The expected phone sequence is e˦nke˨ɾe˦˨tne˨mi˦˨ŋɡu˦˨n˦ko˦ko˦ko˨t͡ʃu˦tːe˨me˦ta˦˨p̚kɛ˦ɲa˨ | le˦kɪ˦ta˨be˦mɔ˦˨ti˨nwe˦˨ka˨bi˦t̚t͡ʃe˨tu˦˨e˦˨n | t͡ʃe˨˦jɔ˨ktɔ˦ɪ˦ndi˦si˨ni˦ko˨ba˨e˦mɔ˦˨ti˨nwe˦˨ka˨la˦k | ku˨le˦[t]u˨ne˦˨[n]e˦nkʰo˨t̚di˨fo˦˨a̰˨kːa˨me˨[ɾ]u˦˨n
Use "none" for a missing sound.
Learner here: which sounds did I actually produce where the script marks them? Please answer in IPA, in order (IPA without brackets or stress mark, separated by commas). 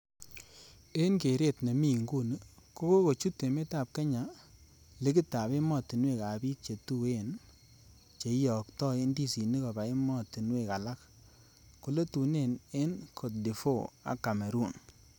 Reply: t, n, ɾ